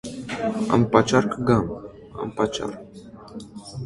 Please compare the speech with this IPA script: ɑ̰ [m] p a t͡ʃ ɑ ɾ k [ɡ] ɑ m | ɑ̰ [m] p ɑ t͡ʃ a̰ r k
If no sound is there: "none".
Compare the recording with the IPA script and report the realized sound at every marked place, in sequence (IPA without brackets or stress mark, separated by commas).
m, ɡ, m